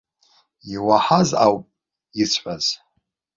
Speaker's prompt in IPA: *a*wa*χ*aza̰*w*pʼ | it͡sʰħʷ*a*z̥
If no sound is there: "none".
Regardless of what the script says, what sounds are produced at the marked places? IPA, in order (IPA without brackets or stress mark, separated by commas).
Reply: i, ħ, w, a